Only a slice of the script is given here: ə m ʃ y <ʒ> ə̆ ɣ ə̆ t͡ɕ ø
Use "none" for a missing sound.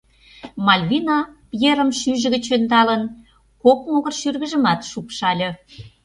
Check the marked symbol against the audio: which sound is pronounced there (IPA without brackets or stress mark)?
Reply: ʒ